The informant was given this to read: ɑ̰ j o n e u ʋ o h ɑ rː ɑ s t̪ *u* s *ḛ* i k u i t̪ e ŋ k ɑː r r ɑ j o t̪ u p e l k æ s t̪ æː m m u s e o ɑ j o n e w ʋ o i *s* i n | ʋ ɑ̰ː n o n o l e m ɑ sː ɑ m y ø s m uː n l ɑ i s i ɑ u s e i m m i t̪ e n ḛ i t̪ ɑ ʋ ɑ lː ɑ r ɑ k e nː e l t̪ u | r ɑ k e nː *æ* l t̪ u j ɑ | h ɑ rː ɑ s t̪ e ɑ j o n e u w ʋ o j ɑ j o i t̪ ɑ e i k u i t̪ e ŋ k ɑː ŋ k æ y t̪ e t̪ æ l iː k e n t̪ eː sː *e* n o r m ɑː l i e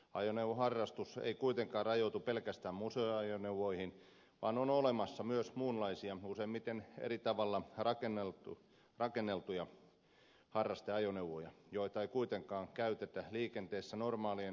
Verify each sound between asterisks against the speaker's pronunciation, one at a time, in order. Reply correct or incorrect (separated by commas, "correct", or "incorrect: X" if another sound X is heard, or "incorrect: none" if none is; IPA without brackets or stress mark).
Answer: correct, correct, incorrect: h, incorrect: e, incorrect: æ